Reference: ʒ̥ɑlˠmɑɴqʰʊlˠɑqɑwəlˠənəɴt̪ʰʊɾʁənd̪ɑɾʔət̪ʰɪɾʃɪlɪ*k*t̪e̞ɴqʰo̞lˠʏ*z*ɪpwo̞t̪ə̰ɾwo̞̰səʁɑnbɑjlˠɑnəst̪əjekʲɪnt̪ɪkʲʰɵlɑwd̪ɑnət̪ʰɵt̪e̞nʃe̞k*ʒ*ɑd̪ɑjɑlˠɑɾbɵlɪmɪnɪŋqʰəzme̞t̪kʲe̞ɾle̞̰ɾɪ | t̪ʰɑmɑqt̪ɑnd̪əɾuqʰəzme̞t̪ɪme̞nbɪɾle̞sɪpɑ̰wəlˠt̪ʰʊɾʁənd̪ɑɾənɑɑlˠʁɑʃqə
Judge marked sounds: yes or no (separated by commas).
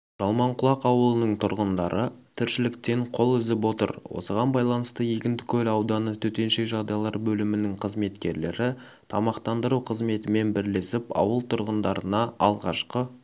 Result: yes, yes, yes